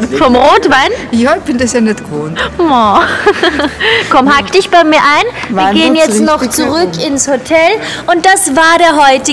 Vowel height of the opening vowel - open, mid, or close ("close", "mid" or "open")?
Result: mid